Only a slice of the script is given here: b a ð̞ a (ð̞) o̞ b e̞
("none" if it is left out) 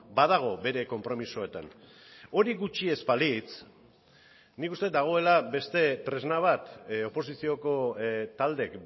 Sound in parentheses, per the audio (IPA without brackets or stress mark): ɣ̞